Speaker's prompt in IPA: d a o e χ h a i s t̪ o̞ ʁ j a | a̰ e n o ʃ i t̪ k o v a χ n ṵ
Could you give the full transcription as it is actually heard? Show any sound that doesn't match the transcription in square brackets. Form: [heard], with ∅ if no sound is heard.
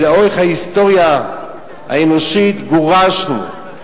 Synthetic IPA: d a o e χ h a i s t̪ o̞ ʁ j a | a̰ e n o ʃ i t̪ [ɡ] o [ʁ] a [ʃ] n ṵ